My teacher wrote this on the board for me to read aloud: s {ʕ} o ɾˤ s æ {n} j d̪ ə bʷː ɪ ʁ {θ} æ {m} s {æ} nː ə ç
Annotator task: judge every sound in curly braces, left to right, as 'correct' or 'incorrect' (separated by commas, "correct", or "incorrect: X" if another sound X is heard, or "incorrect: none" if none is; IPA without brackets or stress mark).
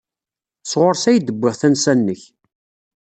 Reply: incorrect: ʁ, incorrect: none, correct, incorrect: n, correct